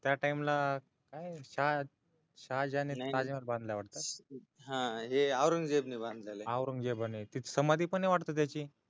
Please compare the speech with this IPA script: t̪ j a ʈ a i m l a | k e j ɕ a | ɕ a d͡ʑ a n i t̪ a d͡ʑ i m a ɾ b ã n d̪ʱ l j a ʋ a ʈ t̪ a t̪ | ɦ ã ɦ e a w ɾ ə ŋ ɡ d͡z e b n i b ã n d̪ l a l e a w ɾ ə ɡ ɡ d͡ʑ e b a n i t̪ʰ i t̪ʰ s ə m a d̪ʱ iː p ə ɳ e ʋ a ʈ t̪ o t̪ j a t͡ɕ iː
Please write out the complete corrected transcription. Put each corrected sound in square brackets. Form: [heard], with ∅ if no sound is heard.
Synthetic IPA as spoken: t̪ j a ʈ a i m l a | k [a] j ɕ a | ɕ a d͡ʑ a n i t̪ a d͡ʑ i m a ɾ b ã n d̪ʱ l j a ʋ a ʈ t̪ a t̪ | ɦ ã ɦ e a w ɾ ə ŋ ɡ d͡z e b n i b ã n d̪ l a l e a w ɾ ə [ŋ] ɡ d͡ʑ e b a n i [t̪] i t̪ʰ s ə m a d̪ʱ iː p ə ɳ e ʋ a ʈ t̪ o t̪ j a t͡ɕ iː